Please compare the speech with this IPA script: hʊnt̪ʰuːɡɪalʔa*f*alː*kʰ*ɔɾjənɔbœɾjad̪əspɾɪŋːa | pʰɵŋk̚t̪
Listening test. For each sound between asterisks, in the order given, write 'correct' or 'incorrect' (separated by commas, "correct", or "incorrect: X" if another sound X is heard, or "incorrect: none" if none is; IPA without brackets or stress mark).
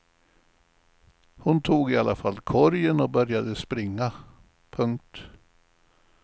correct, correct